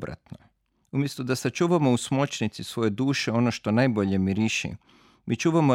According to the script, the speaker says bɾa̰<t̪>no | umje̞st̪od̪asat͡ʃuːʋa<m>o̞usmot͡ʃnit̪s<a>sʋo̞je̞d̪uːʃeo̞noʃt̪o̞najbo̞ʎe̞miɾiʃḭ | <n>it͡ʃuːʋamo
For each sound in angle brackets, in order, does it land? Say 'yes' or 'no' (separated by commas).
yes, yes, no, no